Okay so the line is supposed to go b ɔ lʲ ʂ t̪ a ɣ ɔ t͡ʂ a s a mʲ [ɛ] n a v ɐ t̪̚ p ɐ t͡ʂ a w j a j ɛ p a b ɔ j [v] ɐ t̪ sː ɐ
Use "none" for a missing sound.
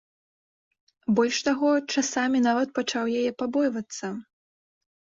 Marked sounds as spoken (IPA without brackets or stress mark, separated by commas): i, v